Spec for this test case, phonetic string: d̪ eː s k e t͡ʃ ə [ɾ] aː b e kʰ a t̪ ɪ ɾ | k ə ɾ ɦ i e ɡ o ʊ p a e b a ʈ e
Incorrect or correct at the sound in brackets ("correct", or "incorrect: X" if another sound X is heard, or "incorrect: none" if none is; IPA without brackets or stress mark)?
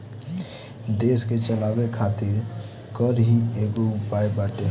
incorrect: l